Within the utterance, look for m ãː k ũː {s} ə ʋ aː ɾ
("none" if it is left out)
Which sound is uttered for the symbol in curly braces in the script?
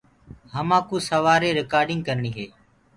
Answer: s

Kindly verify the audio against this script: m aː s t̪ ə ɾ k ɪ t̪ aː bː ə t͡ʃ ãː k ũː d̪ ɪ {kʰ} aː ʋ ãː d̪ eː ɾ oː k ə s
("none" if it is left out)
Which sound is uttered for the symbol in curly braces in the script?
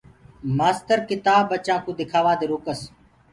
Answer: kʰ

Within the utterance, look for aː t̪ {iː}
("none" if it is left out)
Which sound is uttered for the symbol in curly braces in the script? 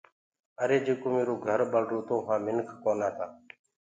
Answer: aː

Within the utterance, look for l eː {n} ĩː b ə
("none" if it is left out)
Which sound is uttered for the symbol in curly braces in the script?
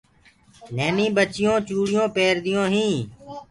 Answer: n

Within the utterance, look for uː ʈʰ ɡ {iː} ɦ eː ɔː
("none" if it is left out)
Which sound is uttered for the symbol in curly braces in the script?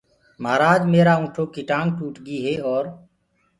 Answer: iː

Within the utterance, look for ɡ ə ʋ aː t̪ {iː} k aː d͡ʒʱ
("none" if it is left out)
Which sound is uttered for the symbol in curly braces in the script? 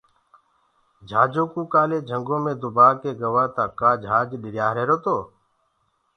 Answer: aː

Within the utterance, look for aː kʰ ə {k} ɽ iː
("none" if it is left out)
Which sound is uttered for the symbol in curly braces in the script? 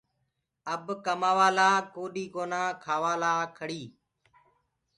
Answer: none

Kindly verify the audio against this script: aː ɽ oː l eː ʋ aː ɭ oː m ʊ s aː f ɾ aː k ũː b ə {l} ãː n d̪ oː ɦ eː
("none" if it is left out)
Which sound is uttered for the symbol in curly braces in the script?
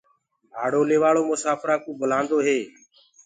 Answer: l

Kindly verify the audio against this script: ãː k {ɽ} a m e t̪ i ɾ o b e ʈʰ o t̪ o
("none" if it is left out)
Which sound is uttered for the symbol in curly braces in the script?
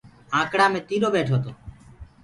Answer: ɽ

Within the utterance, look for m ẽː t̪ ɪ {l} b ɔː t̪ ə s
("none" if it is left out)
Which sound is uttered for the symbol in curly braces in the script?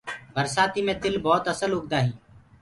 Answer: l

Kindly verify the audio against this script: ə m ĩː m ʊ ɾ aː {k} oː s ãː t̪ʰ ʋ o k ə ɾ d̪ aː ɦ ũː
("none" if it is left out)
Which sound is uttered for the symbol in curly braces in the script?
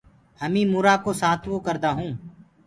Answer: k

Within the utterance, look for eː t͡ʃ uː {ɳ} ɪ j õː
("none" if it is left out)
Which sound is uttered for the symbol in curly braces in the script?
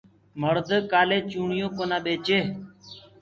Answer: ɳ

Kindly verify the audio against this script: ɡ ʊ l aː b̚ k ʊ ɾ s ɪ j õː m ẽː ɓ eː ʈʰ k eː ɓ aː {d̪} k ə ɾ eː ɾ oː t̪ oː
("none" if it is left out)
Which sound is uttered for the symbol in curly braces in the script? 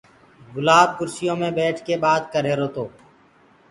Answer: d̪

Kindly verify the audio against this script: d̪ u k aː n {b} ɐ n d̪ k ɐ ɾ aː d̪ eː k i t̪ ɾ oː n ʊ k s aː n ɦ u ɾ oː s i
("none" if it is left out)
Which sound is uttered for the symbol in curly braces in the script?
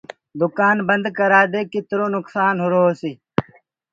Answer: b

